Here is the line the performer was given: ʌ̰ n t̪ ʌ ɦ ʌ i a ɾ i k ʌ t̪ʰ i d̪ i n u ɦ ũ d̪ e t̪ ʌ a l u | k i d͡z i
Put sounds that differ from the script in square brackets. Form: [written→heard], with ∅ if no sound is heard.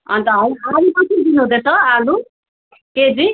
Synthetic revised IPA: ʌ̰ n t̪ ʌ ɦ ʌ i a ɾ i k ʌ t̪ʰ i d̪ i n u ɦ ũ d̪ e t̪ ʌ a l u | k [i→e] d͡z i